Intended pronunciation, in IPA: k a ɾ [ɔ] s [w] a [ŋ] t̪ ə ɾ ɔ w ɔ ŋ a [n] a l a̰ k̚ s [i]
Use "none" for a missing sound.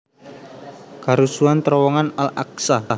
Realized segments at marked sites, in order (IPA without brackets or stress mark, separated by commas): u, u, n, n, a